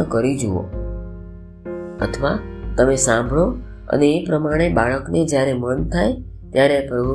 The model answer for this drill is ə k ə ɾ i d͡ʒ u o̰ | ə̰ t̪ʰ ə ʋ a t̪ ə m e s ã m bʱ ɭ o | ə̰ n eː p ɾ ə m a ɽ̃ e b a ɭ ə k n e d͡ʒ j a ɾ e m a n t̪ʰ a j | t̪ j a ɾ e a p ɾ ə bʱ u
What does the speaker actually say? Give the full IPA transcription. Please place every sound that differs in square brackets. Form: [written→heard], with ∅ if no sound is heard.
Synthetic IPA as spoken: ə k ə ɾ i d͡ʒ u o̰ | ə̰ t̪ʰ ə ʋ a t̪ ə m e s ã m bʱ ɭ o | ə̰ n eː p ɾ ə m a ɽ̃ e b a ɭ ə k n e d͡ʒ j a ɾ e m [a→ə] n t̪ʰ a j | t̪ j a ɾ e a p ɾ ə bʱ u